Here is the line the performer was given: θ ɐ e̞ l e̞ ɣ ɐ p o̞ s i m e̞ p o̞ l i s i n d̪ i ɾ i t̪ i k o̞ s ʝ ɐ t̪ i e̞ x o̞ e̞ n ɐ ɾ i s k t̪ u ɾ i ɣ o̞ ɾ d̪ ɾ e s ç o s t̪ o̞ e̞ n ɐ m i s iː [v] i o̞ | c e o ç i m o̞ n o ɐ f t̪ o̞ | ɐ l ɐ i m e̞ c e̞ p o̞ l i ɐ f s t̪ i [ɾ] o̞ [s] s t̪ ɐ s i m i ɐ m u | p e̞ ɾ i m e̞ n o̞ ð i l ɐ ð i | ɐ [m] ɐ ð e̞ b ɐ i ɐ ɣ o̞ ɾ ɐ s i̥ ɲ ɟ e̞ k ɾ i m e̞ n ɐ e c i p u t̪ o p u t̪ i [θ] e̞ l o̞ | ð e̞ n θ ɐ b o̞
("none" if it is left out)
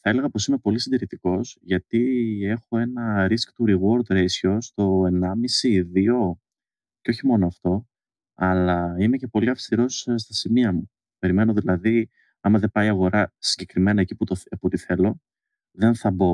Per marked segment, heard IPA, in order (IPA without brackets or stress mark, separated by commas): ð, ɾ, s, m, θ